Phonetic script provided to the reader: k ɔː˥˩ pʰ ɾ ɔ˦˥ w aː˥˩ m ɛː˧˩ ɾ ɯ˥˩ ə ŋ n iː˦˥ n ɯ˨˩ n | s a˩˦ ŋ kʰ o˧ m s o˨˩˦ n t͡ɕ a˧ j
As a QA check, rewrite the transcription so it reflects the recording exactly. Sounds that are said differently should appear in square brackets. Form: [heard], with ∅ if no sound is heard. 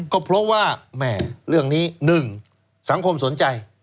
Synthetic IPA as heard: k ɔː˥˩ pʰ ɾ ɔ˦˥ w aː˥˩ m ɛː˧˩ ɾ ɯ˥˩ ə ŋ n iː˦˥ n ɯ˨˩ [ŋ] | s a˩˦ ŋ kʰ o˧ m s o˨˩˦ n t͡ɕ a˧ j